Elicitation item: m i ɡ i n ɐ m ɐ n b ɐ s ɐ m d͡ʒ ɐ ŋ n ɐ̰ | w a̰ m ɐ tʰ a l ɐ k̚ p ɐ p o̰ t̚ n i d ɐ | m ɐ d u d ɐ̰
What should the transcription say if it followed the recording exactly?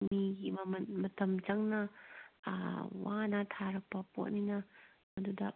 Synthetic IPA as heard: m i ɡ i m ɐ m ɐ n m ɐ t ɐ m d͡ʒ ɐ ŋ n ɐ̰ | w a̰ n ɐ tʰ a ɾ ɐ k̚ p ɐ p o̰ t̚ n i n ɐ | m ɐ d u d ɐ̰

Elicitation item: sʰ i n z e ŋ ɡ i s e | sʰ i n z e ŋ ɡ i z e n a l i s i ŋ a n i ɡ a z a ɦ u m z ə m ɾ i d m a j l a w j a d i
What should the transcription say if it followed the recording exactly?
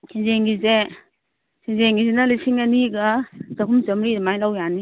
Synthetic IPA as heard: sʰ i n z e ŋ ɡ i z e | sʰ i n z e ŋ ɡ i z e n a l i s i ŋ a n i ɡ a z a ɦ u m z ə m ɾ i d m a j l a w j a n i

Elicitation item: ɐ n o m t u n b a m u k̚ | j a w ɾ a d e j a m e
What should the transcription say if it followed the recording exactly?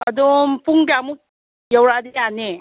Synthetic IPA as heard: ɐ d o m p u ŋ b a m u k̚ | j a w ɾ a d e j a n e

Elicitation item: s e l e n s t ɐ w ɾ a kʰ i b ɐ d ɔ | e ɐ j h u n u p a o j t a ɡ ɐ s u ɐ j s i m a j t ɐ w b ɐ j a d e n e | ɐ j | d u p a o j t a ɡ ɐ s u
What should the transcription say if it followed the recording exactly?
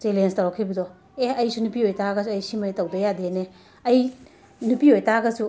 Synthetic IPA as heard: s e l e n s t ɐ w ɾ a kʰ i b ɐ d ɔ | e ɐ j s u n u p i o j t a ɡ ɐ s u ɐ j s i m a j t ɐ w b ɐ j a d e n e | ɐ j | n u p i o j t a ɡ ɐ s u

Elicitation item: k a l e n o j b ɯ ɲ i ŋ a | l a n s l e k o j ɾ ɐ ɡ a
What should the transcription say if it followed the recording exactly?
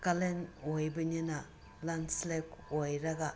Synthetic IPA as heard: k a l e n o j b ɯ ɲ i n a | l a n s l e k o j ɾ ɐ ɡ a

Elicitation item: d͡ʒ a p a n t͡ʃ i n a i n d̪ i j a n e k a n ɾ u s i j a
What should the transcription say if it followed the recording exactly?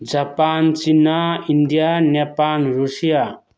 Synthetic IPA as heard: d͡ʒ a p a n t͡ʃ i n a i n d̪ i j a n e p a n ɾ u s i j a

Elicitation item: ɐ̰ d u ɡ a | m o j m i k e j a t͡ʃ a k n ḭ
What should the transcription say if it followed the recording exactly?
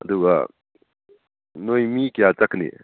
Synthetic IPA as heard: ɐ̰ d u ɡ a | n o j m i k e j a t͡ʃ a k n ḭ

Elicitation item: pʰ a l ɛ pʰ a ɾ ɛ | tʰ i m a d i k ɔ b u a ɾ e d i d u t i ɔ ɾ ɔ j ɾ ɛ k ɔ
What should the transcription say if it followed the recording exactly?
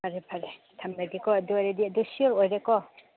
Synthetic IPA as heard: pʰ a ɾ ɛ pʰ a ɾ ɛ | tʰ a m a d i k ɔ d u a ɾ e d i d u s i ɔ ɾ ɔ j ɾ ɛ k ɔ

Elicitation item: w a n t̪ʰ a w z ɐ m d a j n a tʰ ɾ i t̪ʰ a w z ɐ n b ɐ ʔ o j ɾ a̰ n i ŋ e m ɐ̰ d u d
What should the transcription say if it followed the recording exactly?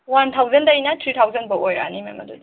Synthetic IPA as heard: w a n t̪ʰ a w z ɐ n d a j n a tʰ ɾ i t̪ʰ a w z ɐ n b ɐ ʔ o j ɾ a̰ n i m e m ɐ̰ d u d

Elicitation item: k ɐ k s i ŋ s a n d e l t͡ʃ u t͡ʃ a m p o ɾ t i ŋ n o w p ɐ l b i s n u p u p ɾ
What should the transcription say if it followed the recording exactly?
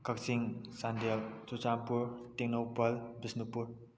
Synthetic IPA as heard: k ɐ k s i ŋ s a n d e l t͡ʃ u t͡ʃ a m p u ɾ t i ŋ n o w p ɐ l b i s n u p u ɾ

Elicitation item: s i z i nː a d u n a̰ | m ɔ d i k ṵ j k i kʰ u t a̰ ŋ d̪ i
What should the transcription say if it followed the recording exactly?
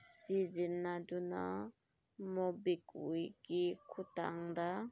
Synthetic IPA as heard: s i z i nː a d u n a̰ | m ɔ b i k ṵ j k i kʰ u t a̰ ŋ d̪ a

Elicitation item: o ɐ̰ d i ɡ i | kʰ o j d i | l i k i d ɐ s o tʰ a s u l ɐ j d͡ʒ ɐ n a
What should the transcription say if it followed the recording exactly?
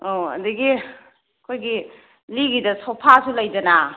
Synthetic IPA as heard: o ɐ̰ d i ɡ i | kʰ o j ɡ i | l i ɡ i d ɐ s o pʰ a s u l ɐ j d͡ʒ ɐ n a

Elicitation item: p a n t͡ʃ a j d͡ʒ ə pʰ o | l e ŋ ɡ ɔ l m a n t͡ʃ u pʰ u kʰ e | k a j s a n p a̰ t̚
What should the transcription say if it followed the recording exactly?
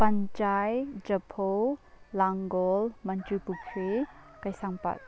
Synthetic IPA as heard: p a n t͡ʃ a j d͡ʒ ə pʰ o | l a ŋ ɡ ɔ l m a n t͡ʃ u p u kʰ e | k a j s a ŋ p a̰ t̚

